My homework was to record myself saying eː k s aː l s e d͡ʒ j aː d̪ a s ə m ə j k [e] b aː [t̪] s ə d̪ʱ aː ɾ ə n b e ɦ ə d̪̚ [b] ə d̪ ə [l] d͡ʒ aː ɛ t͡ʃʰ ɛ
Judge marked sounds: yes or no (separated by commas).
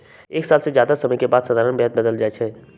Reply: yes, no, yes, yes